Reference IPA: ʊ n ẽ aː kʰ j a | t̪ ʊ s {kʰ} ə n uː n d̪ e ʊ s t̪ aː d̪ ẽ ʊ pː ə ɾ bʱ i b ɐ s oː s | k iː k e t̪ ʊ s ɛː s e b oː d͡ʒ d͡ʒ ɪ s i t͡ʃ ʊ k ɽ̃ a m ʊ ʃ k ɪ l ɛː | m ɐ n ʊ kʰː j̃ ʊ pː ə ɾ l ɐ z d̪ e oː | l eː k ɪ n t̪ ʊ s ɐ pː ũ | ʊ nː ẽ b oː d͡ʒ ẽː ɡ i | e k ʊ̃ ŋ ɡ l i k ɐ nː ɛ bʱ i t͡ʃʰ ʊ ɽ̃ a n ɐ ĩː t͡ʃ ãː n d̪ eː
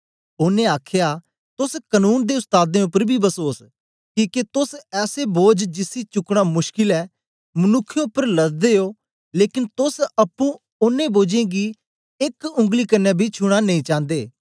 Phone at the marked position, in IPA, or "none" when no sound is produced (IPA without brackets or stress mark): k